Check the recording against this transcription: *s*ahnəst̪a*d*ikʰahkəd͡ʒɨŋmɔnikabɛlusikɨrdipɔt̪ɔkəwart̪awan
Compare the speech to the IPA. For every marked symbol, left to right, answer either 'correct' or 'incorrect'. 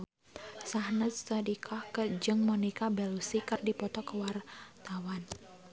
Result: correct, correct

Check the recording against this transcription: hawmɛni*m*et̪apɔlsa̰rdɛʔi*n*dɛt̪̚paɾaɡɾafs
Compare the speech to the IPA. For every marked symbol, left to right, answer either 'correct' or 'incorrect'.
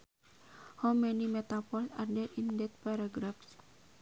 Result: correct, correct

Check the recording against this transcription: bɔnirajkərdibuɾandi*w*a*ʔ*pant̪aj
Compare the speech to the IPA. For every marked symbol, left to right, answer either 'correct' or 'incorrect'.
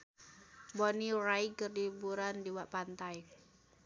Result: correct, correct

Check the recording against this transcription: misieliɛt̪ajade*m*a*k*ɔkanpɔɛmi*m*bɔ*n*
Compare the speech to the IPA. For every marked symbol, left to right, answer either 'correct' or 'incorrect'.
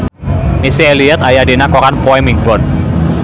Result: incorrect, correct, incorrect, correct

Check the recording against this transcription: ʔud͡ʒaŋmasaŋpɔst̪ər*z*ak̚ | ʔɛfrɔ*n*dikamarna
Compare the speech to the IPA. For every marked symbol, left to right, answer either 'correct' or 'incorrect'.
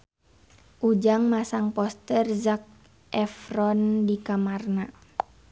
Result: correct, correct

